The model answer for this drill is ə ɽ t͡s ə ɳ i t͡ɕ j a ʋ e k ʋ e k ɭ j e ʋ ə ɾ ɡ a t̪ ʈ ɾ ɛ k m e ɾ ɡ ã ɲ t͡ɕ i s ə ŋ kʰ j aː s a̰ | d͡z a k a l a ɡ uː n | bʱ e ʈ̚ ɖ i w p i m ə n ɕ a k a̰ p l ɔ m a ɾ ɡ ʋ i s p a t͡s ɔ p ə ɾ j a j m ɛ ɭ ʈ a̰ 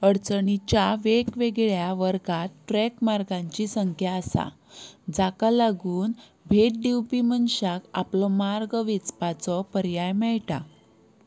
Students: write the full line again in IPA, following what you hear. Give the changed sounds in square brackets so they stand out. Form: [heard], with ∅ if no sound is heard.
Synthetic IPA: ə ɽ t͡s ə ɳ i t͡ɕ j a ʋ e k ʋ e [ɡ] ɭ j [a] ʋ ə ɾ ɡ a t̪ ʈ ɾ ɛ k m [a] ɾ ɡ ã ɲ t͡ɕ i s ə ŋ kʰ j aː s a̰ | d͡z a k a l a ɡ uː n | bʱ e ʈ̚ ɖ i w p i m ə n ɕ a k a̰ p l ɔ m a ɾ ɡ ʋ i [t͡s] p a t͡s ɔ p ə ɾ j a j m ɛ ɭ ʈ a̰